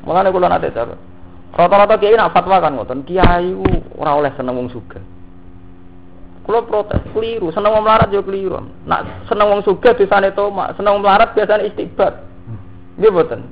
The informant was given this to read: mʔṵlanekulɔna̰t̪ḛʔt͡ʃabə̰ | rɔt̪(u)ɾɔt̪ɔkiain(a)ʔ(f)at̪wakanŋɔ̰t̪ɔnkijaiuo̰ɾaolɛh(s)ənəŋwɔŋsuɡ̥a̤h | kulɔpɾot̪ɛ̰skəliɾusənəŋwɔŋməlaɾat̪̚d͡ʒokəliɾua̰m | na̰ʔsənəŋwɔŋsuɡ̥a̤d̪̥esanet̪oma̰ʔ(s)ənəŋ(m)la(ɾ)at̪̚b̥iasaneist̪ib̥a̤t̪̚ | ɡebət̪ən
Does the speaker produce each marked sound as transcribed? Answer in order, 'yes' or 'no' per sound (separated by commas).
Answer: no, yes, yes, yes, yes, yes, yes